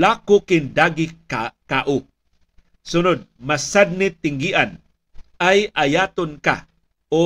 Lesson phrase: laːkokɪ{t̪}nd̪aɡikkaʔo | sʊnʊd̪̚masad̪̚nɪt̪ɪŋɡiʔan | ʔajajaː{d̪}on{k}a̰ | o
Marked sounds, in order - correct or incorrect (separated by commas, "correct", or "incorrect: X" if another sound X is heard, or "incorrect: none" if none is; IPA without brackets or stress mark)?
incorrect: none, incorrect: t̪, correct